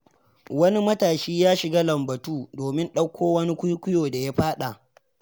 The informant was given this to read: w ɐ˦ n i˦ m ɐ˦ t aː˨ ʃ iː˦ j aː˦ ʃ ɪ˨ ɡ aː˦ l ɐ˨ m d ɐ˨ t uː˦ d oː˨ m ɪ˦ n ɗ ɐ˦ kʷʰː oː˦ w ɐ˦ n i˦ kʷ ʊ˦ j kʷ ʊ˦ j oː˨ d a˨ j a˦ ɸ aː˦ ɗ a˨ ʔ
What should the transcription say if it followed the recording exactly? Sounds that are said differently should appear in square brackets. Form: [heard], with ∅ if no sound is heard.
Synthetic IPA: w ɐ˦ n i˦ m ɐ˦ t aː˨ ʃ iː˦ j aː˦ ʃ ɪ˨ ɡ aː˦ l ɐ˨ m [b] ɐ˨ t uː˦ d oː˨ m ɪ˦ n ɗ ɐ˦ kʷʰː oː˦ w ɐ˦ n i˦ kʷ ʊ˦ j kʷ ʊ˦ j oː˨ d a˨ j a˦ ɸ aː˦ ɗ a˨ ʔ